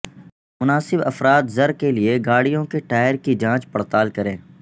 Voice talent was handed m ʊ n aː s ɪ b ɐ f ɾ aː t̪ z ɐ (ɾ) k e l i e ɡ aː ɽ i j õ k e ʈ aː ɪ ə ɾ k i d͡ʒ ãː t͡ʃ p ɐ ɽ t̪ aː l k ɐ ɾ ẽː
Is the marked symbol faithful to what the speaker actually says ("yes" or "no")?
yes